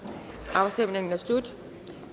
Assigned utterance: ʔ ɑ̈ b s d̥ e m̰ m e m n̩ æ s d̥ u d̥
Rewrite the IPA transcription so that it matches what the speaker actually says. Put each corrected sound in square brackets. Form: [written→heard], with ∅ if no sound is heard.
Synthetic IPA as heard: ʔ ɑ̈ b s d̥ e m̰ [m→n] e [m→ŋ] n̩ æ s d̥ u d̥